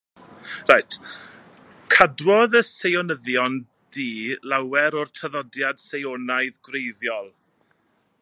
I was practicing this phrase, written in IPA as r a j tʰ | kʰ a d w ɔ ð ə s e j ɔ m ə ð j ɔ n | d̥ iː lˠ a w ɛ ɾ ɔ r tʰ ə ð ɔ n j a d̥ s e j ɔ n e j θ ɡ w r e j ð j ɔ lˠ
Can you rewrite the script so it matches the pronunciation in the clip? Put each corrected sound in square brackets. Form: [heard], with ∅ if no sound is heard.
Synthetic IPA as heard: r a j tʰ | kʰ a d w ɔ ð ə s e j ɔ [n] ə ð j ɔ n | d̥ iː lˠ a w ɛ ɾ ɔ r tʰ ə ð ɔ [d] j a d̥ s e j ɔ n [a] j [ð] ɡ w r e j ð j ɔ lˠ